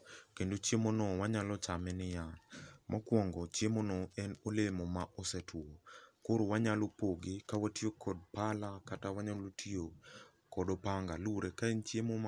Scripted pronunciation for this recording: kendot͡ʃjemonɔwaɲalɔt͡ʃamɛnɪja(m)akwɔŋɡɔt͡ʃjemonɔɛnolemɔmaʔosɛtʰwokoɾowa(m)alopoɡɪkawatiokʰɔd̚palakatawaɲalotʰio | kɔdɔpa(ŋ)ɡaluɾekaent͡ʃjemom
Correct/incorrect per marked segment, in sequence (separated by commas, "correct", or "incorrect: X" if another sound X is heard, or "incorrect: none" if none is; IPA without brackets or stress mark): correct, incorrect: ɲ, correct